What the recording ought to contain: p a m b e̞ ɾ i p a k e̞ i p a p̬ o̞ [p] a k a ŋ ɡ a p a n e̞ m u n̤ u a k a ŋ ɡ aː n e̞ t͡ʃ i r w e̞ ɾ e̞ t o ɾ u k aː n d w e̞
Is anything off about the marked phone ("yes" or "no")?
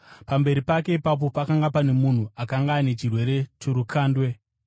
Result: no